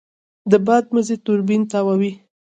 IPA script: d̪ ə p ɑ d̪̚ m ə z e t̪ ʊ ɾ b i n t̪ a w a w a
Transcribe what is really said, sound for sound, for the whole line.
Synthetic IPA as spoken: d̪ ə b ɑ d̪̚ m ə z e t̪ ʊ ɾ b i n t̪ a w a w i